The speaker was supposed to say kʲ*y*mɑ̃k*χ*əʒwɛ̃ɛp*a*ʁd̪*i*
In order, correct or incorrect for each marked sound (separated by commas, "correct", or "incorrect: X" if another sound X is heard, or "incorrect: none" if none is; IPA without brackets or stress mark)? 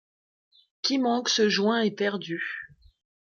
incorrect: i, incorrect: s, incorrect: ɛ, incorrect: y